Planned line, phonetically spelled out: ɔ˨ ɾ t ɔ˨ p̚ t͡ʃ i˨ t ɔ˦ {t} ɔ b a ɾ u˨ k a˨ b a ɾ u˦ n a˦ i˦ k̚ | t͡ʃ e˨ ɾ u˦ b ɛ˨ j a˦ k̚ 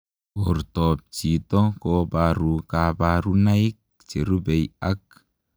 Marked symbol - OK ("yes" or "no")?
no